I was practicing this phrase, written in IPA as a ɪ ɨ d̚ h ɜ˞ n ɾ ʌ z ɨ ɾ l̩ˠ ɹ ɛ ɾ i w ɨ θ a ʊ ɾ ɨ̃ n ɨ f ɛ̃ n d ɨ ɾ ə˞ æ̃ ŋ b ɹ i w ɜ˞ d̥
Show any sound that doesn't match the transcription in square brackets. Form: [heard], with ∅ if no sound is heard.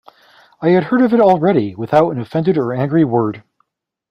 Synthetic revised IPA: a ɪ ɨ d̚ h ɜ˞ [∅] ɾ ʌ [v] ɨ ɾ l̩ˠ ɹ ɛ ɾ i w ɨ θ a ʊ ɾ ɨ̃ n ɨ f ɛ̃ n d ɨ ɾ ə˞ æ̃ ŋ [ɡ] ɹ i w ɜ˞ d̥